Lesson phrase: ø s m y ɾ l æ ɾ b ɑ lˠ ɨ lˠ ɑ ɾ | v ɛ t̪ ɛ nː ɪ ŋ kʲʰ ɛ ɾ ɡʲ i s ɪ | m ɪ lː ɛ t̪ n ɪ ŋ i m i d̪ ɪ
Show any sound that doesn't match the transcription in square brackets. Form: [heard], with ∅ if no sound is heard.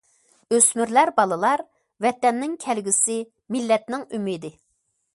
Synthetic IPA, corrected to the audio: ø s m y ɾ l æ ɾ b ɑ lˠ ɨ lˠ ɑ ɾ | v ɛ t̪ ɛ nː ɪ ŋ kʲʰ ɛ [l] ɡʲ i s ɪ | m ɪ lː ɛ t̪ n ɪ ŋ [y] m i d̪ ɪ